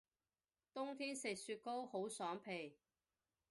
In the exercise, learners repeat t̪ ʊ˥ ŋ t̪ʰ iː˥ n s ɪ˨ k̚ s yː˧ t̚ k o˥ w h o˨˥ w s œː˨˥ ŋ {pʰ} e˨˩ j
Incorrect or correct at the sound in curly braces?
correct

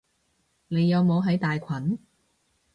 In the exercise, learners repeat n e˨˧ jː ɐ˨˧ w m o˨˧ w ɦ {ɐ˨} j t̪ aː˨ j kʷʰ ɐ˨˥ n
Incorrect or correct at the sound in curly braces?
incorrect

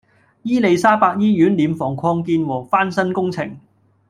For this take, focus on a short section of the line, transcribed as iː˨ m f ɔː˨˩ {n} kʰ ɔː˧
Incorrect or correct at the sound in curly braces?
incorrect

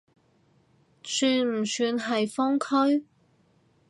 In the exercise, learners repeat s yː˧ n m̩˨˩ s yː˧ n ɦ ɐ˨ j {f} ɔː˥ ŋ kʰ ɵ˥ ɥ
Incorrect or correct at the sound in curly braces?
correct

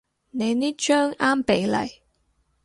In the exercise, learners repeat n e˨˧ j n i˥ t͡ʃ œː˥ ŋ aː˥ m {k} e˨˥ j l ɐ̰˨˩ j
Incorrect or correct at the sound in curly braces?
incorrect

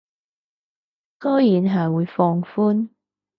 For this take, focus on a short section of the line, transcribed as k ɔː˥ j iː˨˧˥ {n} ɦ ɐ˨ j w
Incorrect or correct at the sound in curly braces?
correct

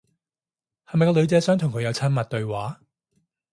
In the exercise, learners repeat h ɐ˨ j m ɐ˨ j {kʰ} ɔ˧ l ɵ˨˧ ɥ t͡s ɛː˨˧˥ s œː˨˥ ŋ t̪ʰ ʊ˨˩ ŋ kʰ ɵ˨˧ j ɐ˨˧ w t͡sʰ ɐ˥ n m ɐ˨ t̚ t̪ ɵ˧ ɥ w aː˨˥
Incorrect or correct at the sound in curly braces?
incorrect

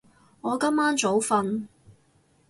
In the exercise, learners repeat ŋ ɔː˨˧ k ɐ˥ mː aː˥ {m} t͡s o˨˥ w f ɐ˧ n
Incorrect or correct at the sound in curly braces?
incorrect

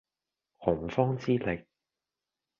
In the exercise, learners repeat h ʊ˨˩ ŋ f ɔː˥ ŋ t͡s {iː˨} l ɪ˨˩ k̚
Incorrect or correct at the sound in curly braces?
incorrect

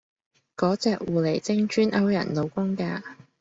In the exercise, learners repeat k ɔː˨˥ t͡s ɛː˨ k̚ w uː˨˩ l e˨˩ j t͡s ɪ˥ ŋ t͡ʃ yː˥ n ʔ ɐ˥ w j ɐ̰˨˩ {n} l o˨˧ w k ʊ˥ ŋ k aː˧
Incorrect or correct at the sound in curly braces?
correct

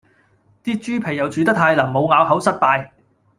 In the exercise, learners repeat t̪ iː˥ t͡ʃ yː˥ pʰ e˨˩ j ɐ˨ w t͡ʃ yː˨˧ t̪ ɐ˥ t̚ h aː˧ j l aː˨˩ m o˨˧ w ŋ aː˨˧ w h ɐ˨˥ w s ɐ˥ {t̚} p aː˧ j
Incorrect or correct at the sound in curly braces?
correct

